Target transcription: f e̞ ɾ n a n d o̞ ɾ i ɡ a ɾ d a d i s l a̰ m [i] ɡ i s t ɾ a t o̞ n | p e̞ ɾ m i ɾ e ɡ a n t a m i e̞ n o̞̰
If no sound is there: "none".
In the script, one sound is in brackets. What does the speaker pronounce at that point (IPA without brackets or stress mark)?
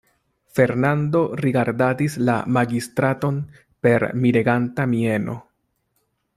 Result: a